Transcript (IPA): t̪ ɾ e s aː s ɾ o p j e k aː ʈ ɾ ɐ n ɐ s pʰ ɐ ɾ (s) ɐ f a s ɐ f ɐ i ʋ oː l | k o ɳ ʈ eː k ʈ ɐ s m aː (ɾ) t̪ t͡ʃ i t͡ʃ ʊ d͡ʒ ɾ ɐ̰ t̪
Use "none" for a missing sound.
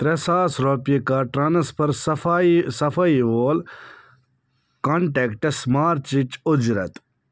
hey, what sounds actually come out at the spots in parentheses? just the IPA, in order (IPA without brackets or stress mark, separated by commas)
s, ɾ